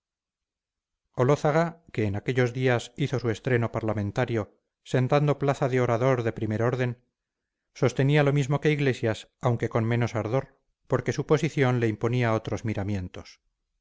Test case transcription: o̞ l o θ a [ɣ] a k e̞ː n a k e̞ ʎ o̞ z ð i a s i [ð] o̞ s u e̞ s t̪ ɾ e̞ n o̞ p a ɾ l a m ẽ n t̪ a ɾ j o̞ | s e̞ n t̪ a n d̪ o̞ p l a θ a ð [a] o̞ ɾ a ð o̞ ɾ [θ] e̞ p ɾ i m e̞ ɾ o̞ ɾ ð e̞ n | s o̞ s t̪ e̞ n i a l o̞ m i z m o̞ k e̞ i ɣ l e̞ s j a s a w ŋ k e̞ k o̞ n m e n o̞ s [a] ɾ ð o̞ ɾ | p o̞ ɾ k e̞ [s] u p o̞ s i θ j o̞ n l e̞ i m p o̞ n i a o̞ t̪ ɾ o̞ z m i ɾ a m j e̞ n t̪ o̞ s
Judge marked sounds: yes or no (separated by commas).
yes, no, no, no, yes, yes